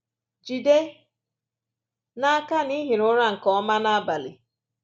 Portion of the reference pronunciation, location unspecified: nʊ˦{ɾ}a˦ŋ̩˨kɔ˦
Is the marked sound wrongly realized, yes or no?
no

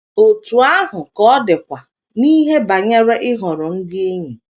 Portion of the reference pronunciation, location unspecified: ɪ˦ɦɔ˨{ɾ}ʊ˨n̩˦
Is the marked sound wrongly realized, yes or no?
no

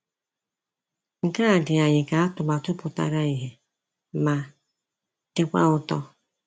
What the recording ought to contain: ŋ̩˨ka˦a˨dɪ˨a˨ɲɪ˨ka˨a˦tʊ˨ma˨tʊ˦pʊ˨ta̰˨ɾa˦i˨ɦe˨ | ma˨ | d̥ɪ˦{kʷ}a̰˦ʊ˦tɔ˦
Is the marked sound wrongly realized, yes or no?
no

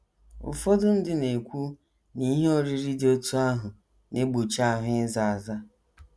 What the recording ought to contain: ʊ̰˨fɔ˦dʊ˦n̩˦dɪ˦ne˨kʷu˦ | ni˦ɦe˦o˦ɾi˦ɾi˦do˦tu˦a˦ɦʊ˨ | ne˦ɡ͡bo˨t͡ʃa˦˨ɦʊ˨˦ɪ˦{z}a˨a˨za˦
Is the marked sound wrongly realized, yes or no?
no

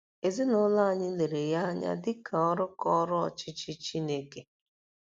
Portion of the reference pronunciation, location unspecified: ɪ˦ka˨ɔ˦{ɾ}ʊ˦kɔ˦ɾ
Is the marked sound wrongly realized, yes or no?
no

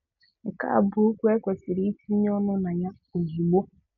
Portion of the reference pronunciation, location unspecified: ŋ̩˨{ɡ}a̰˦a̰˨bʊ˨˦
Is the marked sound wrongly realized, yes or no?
yes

